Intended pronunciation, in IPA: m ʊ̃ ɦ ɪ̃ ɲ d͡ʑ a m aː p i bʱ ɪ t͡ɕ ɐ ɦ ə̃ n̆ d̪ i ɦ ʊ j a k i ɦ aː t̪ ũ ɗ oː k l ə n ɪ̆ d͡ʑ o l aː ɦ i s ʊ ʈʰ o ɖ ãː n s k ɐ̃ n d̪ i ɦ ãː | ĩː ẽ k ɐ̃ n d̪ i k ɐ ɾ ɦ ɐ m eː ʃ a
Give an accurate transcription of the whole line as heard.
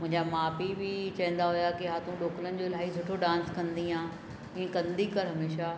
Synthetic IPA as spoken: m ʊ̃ ɦ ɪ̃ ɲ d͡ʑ a m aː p i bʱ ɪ t͡ɕ ɐ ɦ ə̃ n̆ d̪ a ɦ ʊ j a k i ɦ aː t̪ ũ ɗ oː k l ə n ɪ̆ d͡ʑ o l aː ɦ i s ʊ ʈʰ o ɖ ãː n s k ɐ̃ n d̪ i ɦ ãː | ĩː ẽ k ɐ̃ n d̪ i k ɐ ɾ ɦ ɐ m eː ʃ a